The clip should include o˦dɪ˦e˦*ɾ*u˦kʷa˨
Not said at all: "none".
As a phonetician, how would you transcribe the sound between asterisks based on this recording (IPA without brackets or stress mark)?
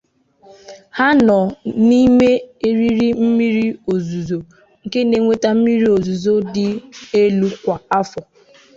l